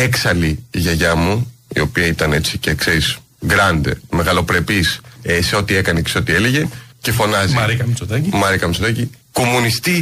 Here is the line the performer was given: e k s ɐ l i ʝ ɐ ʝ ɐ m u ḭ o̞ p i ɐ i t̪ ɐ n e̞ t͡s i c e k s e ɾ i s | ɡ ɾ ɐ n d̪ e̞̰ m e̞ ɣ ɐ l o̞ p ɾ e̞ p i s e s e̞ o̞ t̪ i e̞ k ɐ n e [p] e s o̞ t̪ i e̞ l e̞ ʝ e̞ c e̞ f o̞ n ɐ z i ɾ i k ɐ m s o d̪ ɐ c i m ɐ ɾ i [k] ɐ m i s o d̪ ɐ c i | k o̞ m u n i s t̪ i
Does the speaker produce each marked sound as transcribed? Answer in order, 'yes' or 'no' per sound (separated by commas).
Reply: no, yes